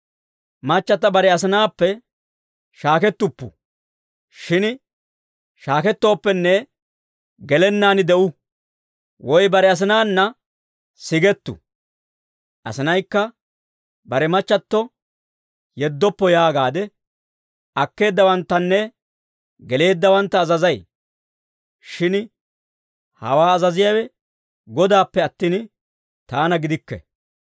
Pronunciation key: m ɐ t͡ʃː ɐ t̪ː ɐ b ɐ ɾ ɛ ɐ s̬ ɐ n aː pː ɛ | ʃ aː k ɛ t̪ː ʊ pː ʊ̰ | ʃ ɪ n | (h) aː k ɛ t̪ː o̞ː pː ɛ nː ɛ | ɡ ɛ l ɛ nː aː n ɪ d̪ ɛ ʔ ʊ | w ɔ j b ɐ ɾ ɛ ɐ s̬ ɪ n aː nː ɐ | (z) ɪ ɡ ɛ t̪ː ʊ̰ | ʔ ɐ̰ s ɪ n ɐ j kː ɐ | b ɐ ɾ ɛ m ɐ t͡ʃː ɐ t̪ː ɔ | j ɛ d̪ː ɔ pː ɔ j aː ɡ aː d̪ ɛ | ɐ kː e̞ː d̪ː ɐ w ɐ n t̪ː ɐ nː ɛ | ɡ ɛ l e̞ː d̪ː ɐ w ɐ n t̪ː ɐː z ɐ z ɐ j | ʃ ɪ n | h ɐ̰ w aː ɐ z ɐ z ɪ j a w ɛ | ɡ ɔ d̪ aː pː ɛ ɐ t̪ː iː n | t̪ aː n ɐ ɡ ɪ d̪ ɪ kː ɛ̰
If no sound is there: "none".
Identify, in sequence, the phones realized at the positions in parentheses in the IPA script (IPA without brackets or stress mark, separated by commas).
ʃ, s